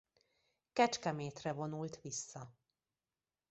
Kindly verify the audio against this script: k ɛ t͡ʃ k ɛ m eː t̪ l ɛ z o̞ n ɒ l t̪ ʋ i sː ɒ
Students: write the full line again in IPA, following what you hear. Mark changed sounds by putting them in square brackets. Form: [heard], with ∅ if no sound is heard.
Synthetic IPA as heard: k ɛ t͡ʃ k ɛ m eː t̪ [r] ɛ [v] o̞ n [u] l t̪ ʋ i sː ɒ